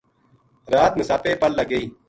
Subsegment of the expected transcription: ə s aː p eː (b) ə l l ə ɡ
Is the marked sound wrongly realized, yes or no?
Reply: yes